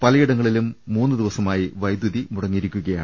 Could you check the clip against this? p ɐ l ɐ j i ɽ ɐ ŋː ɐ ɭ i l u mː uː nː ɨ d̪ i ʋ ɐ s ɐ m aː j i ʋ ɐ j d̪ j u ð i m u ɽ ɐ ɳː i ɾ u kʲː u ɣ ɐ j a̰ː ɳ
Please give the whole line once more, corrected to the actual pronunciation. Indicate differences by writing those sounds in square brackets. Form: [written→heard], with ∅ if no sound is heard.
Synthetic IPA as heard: p ɐ l ɐ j i ɽ ɐ ŋː ɐ ɭ i l u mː uː nː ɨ d̪ i ʋ ɐ s ɐ m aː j i ʋ ɐ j d̪ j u ð i m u ɽ ɐ [ɳː→ŋː] i ɾ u kʲː u ɣ ɐ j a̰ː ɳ